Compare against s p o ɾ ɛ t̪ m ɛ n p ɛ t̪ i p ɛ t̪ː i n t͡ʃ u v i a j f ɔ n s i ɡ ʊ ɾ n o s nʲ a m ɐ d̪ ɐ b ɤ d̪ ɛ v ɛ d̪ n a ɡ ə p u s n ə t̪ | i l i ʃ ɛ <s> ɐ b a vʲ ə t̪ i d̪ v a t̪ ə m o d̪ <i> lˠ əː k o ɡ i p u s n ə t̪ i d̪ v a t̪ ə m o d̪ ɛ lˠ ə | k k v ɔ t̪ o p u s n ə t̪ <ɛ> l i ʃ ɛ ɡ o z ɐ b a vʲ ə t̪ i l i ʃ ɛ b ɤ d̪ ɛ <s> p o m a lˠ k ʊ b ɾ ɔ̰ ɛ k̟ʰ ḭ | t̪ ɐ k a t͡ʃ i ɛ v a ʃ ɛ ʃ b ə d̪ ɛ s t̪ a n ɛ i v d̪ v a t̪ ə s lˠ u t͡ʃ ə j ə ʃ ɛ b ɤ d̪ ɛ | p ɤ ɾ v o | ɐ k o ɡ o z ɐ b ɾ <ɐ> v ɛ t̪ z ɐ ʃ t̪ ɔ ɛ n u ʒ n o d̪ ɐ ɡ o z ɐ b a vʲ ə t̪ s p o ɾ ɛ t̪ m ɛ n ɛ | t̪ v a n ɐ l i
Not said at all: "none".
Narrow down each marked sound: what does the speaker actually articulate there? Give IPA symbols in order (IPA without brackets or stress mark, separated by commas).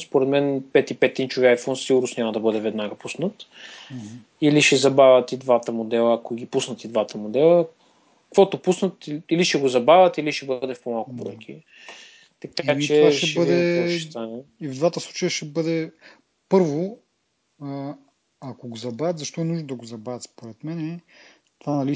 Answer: z, ɛ, i, f, a